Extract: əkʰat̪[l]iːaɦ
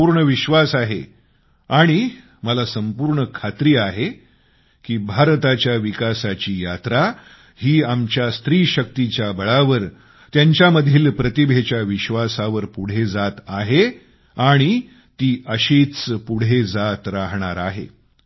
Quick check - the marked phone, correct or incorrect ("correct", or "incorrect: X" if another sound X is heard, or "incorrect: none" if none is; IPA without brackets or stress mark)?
incorrect: ɾ